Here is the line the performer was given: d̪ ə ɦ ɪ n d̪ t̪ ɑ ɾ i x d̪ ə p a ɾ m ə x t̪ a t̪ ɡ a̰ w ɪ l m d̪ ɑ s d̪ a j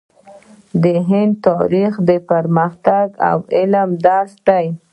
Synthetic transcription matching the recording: d̪ ə ɦ ɪ n d̪ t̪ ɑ ɾ i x d̪ ə p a ɾ m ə x t̪ a ɡ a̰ w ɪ l m d̪ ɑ s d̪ a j